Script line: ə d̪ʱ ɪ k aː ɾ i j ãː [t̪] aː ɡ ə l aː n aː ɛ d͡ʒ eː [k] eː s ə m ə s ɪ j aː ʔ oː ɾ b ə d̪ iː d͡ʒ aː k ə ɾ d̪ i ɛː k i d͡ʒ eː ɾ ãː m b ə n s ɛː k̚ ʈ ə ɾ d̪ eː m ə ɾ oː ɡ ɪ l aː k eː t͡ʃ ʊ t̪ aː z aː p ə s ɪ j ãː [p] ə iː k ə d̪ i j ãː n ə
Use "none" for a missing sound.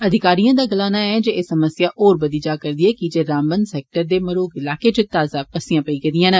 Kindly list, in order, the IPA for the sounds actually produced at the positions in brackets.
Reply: d̪, none, p

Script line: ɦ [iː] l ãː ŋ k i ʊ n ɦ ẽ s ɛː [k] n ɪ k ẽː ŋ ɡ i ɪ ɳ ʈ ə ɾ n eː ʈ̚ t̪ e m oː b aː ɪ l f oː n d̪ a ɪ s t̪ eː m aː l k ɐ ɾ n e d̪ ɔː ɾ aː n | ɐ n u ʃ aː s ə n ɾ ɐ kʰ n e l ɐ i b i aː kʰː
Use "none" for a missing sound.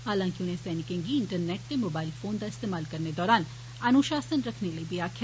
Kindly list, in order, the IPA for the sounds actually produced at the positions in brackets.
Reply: aː, none

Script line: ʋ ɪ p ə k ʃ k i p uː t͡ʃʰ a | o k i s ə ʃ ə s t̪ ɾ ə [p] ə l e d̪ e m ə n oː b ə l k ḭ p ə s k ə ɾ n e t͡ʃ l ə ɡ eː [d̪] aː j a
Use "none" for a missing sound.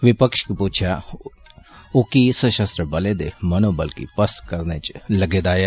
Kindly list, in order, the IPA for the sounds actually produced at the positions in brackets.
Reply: b, d̪

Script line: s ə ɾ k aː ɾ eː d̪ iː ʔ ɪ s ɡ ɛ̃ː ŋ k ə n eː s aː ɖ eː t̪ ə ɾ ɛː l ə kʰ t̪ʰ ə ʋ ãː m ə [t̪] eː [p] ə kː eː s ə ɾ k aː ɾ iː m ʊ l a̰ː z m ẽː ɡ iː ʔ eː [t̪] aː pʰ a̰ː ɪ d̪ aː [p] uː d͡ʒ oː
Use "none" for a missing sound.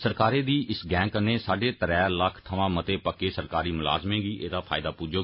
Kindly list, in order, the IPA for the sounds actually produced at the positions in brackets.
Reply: t̪, p, d̪, p

